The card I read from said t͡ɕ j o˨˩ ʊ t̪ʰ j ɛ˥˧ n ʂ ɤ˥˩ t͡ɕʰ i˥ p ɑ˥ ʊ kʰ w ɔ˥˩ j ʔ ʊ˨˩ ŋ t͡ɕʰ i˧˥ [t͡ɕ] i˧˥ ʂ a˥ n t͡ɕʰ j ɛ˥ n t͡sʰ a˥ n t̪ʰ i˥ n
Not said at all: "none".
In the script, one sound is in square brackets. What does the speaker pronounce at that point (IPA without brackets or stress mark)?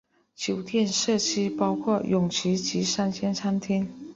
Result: t͡ɕ